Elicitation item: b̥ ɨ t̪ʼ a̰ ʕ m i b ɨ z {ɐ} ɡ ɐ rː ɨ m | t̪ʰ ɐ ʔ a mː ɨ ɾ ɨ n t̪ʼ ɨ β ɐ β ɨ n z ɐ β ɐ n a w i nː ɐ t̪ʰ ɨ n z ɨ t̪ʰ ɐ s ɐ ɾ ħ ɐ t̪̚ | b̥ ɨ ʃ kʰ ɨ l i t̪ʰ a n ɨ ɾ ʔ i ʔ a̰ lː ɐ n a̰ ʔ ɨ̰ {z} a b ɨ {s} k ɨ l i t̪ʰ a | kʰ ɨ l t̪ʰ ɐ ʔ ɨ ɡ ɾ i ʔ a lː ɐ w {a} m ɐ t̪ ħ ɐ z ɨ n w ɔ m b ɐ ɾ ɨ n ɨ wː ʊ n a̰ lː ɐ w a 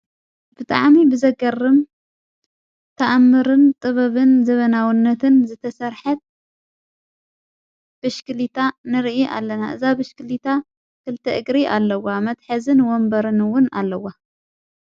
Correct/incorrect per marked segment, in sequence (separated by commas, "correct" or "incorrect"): correct, correct, incorrect, correct